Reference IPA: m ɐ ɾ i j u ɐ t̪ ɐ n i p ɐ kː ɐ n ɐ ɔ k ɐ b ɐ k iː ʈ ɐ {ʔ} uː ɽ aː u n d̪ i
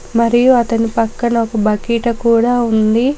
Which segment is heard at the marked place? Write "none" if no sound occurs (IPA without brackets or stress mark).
k